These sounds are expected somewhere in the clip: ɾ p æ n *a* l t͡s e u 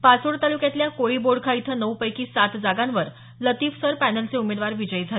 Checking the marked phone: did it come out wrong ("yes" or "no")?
yes